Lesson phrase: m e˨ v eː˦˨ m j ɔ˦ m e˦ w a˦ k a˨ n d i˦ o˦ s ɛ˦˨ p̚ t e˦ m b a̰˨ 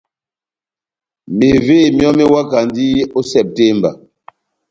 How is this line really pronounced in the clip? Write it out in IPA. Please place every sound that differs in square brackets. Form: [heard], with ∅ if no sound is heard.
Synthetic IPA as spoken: m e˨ v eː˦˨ m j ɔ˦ m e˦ w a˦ k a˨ n d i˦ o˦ s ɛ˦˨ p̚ t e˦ m b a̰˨